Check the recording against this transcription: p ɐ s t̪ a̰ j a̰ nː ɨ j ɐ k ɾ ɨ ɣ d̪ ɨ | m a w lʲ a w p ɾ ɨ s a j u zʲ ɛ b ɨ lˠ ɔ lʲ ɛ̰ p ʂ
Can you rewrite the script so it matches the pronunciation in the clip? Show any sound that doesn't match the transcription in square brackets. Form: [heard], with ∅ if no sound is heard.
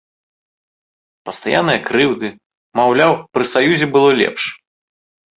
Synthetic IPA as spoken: p ɐ s t̪ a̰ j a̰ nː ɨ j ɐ k ɾ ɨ [w] d̪ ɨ | m a w lʲ a w p ɾ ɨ s a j u zʲ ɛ b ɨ lˠ ɔ lʲ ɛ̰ p ʂ